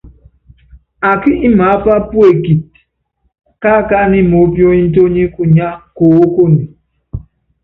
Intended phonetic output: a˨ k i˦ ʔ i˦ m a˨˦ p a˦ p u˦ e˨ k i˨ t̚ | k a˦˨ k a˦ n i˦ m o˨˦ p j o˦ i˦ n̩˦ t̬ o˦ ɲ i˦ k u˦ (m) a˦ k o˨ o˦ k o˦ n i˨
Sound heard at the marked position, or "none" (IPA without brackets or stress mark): ɲ